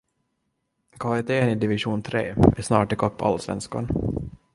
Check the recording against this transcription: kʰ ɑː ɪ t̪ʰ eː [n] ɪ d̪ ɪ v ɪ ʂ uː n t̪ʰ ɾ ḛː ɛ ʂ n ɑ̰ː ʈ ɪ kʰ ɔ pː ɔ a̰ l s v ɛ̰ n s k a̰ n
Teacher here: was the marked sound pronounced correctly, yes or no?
yes